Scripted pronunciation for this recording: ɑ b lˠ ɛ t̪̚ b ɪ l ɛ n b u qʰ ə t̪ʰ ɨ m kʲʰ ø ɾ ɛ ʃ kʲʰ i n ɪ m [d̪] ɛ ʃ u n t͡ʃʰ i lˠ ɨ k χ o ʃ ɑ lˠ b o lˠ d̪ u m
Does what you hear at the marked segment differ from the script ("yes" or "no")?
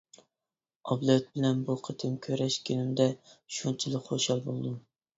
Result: no